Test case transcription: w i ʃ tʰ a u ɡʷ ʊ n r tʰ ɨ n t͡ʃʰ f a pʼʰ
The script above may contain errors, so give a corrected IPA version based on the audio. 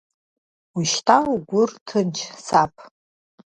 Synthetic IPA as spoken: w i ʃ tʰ a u ɡʷ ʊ r tʰ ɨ n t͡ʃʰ s a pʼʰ

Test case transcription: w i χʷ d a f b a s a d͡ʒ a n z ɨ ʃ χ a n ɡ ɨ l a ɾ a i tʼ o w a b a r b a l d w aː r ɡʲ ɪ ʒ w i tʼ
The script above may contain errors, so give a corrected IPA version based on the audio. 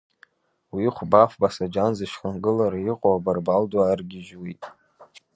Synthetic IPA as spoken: w i χʷ b a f b a s a d͡ʒ a n z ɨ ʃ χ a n ɡ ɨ l a ɾ a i qʼ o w a b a r b a l d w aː r ɡʲ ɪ ʒ w i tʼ

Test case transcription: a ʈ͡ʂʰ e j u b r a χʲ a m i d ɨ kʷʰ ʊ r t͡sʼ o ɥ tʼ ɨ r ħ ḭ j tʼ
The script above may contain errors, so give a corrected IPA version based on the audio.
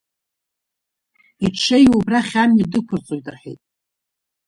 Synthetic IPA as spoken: i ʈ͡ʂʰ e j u b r a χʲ a m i d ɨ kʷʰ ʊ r t͡sʼ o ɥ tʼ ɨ r ħ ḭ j tʼ

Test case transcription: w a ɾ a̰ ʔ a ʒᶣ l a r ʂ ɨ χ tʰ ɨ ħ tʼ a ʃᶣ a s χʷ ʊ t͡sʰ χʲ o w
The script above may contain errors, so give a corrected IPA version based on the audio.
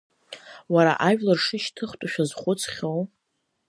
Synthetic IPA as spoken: w a ɾ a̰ ʔ a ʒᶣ l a r ʂ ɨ ʃ tʰ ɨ χ tʼ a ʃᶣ a z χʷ ʊ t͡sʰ χʲ o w

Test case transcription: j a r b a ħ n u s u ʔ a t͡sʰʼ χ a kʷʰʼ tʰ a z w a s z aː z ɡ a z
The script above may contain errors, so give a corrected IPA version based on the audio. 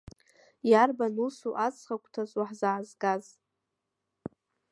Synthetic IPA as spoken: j a r b a n u s u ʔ a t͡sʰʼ χ a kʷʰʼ tʰ a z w a ħ z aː z ɡ a z

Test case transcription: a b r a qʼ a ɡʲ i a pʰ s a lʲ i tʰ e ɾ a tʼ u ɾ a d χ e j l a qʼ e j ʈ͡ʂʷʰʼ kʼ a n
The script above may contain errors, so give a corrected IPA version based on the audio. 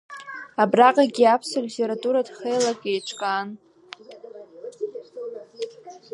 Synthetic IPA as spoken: a b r a qʼ a ɡʲ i a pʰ s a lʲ i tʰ e ɾ a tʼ u ɾ a d χ e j l a kʼ e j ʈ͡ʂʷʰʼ kʼ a n

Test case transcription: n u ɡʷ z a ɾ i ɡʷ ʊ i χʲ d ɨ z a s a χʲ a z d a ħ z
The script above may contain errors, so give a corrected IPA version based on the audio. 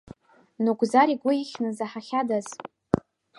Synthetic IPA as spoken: n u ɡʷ z a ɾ i ɡʷ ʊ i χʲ n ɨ z a ħ a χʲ a d a z

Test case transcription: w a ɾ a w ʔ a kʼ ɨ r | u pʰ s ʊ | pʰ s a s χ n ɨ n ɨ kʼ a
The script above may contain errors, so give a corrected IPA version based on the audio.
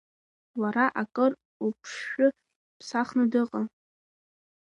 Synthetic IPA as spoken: w a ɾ a ʔ a kʼ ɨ r | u pʰ ʂ ʊ | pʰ s a χ n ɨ d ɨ qʼ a

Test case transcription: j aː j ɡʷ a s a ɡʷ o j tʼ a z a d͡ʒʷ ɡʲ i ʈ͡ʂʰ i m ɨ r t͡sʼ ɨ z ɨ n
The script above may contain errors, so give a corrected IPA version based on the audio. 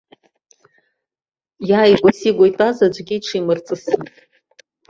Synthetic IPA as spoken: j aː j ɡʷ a s i ɡʷ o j tʼ a z a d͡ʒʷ ɡʲ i ʈ͡ʂʰ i m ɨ r t͡sʼ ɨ s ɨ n

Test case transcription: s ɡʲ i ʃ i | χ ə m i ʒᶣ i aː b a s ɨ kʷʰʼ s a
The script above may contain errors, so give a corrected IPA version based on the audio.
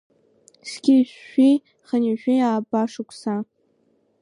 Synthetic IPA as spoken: s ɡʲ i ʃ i | χ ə n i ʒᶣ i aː b a ʂ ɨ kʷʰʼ s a

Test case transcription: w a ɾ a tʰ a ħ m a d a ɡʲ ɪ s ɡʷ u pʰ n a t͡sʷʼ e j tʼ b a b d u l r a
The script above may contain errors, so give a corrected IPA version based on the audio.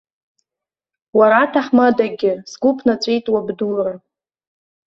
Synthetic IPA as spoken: w a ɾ a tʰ a ħ m a d a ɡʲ ɪ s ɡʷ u pʰ n a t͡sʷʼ e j tʼ w a b d u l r a

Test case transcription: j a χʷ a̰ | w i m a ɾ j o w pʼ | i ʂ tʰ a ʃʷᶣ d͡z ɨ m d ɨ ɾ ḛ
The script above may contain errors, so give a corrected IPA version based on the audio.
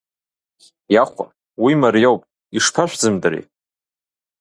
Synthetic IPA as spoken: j a χʷ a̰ | w i m a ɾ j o w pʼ | i ʂ pʰ a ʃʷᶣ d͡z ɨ m d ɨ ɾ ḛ

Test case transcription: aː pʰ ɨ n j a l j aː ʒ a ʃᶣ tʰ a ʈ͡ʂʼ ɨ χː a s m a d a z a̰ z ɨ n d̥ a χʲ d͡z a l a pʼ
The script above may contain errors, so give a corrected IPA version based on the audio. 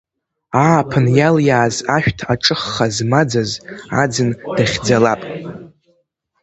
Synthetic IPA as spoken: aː pʰ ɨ n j a l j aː z a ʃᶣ tʰ a ʈ͡ʂʼ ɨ χː a z m a d͡z a z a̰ d͡z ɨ n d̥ a χʲ d͡z a l a pʼ

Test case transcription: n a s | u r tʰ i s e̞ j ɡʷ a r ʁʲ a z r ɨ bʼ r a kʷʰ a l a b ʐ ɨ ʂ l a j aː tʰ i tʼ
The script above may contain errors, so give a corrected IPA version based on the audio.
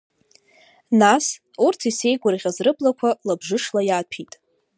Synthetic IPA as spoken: n a s | u r tʰ i s e̞ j ɡʷ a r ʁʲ a z r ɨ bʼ l a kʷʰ a l a b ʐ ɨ ʂ l a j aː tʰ i tʼ

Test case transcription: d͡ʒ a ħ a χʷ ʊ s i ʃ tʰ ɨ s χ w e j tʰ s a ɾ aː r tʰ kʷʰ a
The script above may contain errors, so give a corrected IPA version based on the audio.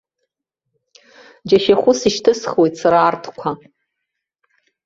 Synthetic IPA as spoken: d͡ʒ a ʃ a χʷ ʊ s i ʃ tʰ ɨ s χ w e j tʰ s a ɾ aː r tʰ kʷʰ a

